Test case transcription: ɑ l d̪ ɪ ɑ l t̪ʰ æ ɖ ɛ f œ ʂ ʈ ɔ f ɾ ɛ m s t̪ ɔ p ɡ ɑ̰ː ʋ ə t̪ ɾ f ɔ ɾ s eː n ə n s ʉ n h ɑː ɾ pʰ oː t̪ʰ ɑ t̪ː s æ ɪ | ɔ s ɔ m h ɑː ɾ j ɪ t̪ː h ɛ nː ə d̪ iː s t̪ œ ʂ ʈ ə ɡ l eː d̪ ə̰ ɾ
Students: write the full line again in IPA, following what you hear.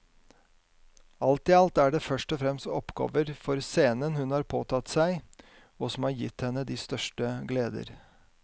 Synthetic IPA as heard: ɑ l t̪ ɪ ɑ l t̪ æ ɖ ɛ f œ ʂ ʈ ɔ f ɾ ɛ m s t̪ ɔ p ɡ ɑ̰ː ʋ ə ɾ f ɔ ɾ s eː n ə n h ʉ n h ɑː ɾ pʰ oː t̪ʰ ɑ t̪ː s æ ɪ | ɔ s ɔ m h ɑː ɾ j ɪ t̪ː h ɛ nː ə d̪ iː s t̪ œ ʂ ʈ ə ɡ l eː d̪ ə̰ ɾ

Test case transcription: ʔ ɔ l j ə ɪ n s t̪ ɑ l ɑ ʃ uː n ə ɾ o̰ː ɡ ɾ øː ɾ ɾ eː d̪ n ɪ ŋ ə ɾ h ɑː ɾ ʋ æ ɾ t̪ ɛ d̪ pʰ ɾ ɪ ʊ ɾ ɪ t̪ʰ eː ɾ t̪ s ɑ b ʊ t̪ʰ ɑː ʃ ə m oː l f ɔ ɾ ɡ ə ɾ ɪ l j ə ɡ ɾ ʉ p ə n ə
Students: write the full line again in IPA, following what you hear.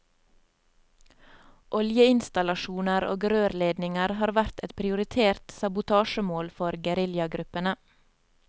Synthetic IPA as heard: ʔ ɔ l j ə ɪ n s t̪ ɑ l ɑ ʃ uː n ə ɾ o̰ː ɡ ɾ øː ɾ l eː d̪ n ɪ ŋ ə ɾ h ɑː ɾ ʋ æ ɾ t̪ ɛ t̪ pʰ ɾ ɪ ʊ ɾ ɪ t̪ʰ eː ɾ t̪ s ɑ b ʊ t̪ʰ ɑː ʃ ə m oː l f ɔ ɾ ɡ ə ɾ ɪ l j ɑ ɡ ɾ ʉ p ə n ə

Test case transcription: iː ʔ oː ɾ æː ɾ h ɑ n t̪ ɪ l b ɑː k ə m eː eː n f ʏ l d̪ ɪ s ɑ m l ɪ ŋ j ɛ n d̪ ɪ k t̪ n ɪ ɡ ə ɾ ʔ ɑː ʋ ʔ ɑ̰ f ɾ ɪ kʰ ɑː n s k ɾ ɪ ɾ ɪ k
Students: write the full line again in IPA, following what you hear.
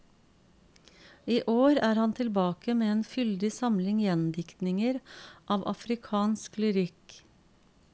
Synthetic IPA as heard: iː ʔ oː ɾ æː ɾ h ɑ n t̪ʰ ɪ l b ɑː k ə m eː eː n f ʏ l d̪ ɪ s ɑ m l ɪ ŋ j ɛ n d̪ ɪ k t̪ n ɪ ŋ ə ɾ ʔ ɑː ʋ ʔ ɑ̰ f ɾ ɪ kʰ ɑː n s k l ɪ ɾ ɪ k

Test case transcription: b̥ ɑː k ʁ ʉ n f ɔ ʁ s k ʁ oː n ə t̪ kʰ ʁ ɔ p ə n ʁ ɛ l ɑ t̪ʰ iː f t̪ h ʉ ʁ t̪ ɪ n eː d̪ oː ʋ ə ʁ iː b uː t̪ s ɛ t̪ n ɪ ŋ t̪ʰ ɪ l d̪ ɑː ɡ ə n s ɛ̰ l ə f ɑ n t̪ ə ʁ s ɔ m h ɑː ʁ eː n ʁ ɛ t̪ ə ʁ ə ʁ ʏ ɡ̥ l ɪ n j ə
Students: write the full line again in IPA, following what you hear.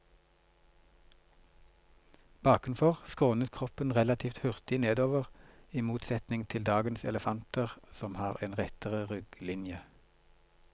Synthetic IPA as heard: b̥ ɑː k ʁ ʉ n f ɔ ʁ s k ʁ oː n ə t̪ kʰ ʁ ɔ p ə n ʁ ɛ l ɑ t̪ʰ iː f t̪ h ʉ ʁ t̪ ɪ n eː d̪ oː ʋ ə ʁ iː m uː t̪ s ɛ t̪ n ɪ ŋ t̪ʰ ɪ l d̪ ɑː ɡ ə n s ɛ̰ l ə f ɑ n t̪ ə ʁ s ɔ m h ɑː ʁ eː n ʁ ɛ t̪ ə ʁ ə ʁ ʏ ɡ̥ l ɪ n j ə

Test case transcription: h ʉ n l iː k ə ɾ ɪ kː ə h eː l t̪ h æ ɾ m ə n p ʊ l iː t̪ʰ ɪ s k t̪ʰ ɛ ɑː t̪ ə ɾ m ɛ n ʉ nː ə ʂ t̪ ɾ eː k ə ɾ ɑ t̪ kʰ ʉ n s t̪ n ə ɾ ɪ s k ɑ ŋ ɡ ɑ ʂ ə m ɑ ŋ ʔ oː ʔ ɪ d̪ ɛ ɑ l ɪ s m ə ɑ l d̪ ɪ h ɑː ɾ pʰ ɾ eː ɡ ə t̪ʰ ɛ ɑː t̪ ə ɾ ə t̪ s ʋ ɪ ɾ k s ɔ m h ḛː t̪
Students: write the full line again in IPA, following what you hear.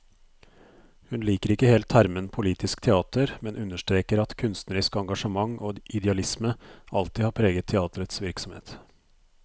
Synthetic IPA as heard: h ʉ n l iː k ə ɾ ɪ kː ə h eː l t̪ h æ ɾ m ə n pʰ ʊ l iː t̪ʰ ɪ s k t̪ʰ ɛ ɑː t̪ ə ɾ m ɛ n ʉ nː ə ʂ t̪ ɾ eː k ə ɾ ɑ t̪ kʰ ʉ n s t̪ n ə ɾ ɪ s k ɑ ŋ ɡ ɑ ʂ ə m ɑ ŋ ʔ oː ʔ ɪ d̪ ɛ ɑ l ɪ s m ə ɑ l t̪ ɪ h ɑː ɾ pʰ ɾ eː ɡ ə t̪ʰ ɛ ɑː t̪ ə ɾ ə t̪ s ʋ ɪ ɾ k s ɔ m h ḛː t̪

